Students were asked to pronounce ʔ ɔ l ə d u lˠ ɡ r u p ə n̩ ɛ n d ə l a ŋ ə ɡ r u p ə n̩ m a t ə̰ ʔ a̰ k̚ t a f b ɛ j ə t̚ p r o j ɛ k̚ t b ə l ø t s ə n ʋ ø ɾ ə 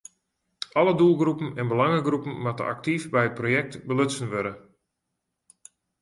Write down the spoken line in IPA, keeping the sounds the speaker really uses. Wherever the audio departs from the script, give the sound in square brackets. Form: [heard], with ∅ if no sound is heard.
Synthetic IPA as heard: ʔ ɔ l ə d u lˠ ɡ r u p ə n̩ ɛ n [b] ə l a ŋ ə ɡ r u p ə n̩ m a t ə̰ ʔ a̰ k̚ t [i] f b ɛ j ə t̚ p r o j ɛ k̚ t b ə l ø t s ə n ʋ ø ɾ ə